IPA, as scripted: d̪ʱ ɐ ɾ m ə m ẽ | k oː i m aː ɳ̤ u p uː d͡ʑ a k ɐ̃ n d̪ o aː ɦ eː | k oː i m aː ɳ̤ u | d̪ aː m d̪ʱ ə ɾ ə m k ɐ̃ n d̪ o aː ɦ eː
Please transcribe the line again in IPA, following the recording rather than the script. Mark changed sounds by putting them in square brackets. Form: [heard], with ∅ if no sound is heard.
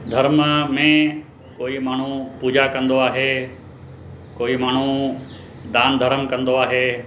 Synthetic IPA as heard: d̪ʱ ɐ ɾ m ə m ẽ | k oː i m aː ɳ̤ u p uː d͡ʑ a k ɐ̃ n d̪ o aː ɦ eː | k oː i m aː ɳ̤ u | d̪ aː [n] d̪ʱ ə ɾ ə m k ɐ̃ n d̪ o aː ɦ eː

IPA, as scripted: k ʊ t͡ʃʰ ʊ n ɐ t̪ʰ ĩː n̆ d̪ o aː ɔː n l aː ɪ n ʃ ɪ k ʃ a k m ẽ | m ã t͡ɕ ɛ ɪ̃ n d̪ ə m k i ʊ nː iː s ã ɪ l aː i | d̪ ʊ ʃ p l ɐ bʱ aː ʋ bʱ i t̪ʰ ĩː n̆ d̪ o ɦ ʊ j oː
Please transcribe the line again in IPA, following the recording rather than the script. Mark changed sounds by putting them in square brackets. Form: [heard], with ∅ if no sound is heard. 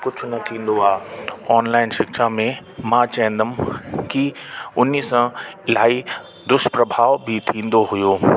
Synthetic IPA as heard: k ʊ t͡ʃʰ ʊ n ɐ t̪ʰ ĩː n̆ d̪ o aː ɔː n l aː ɪ n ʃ ɪ k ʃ a [∅] m ẽ | m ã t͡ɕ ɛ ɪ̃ n d̪ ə m k i ʊ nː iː s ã ɪ l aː i | d̪ ʊ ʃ p [ɾ] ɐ bʱ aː ʋ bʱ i t̪ʰ ĩː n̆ d̪ o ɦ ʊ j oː

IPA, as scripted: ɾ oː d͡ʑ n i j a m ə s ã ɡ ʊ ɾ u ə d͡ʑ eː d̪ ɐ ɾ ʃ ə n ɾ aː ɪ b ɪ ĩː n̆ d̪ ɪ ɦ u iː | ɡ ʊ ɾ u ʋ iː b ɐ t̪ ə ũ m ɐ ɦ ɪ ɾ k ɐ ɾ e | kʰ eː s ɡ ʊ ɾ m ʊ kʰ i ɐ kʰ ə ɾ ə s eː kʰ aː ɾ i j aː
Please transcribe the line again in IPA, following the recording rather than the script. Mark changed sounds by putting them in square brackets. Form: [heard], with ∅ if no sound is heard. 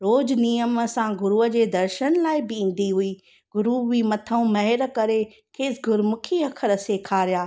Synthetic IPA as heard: ɾ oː d͡ʑ n i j [ə] m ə s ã ɡ ʊ ɾ u ə d͡ʑ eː d̪ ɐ ɾ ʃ ə n [l] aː ɪ b ɪ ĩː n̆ d̪ [i] ɦ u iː | ɡ ʊ ɾ u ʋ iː [m] ɐ [t̪ʰ] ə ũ m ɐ ɦ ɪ ɾ k ɐ ɾ e | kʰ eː s ɡ ʊ ɾ m ʊ kʰ i ɐ kʰ ə ɾ ə s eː kʰ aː ɾ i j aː

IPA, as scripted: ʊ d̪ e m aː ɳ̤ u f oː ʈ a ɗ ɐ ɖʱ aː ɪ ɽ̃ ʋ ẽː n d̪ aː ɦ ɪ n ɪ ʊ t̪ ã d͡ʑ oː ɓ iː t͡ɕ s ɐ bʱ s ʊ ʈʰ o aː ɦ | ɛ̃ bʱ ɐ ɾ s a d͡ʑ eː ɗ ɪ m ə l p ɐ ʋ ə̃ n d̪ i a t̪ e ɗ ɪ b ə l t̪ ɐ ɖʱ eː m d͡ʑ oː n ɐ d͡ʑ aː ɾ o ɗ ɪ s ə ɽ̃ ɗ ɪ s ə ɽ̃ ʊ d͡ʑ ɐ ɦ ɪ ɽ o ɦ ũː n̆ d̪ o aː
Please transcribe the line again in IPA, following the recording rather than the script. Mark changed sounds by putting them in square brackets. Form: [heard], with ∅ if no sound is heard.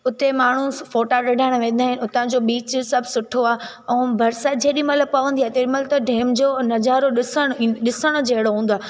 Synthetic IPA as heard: ʊ [t̪] e m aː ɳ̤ u f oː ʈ a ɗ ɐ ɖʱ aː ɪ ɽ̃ ʋ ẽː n d̪ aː ɦ ɪ n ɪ ʊ t̪ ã d͡ʑ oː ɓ iː t͡ɕ s ɐ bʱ s ʊ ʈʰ o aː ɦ | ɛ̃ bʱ ɐ ɾ s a d͡ʑ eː ɗ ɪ m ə l p ɐ ʋ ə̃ n d̪ i a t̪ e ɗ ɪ [m] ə l t̪ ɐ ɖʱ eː m d͡ʑ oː n ɐ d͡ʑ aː ɾ o ɗ ɪ s ə ɽ̃ ɗ ɪ s ə ɽ̃ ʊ d͡ʑ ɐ ɦ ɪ ɽ o ɦ ũː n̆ d̪ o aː

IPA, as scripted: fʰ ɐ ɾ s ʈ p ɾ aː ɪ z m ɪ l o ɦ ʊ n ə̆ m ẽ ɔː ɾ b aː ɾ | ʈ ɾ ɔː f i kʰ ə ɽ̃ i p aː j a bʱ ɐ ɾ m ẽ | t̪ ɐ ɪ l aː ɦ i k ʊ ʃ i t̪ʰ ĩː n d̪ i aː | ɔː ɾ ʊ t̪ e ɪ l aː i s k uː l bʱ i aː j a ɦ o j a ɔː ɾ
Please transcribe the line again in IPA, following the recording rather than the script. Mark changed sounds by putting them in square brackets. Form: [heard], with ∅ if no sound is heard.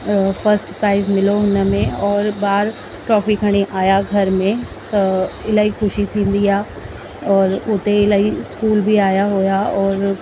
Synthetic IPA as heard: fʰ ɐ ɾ s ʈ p ɾ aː ɪ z m ɪ l o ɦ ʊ n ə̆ m ẽ ɔː ɾ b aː ɾ | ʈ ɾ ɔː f i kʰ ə ɽ̃ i [ʔ] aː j a [ɡʱ] ɐ ɾ m ẽ | t̪ ɐ ɪ l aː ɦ i [x] ʊ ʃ i t̪ʰ ĩː n d̪ i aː | ɔː ɾ ʊ t̪ e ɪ l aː i s k uː l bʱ i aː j a ɦ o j a ɔː ɾ

